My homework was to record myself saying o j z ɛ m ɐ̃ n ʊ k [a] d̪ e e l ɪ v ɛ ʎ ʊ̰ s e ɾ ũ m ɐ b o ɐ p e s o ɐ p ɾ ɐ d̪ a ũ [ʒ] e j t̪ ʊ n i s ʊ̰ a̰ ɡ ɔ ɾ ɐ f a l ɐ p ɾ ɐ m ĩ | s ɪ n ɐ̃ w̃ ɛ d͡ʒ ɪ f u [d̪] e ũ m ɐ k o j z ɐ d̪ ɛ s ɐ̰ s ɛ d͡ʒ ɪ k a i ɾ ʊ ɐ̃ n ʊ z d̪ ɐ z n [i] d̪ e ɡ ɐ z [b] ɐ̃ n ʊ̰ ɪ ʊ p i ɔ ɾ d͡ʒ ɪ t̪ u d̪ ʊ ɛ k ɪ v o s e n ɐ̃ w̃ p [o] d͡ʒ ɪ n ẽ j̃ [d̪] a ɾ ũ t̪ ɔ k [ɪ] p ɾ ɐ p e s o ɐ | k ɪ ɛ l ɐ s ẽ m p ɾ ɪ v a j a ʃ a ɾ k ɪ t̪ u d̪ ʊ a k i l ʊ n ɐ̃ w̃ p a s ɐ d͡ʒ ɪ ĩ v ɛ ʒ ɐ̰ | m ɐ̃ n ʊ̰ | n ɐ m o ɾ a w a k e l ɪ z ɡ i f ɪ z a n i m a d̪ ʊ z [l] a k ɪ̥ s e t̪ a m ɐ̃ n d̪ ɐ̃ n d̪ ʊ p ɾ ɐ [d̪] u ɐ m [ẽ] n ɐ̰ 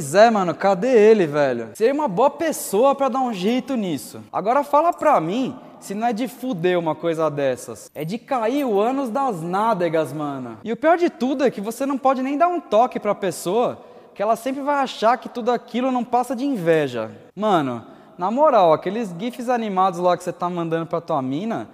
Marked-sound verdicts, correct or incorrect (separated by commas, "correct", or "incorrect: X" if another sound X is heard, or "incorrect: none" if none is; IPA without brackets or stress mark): correct, correct, correct, incorrect: a, incorrect: m, incorrect: ɔ, correct, correct, correct, incorrect: t̪, incorrect: ĩ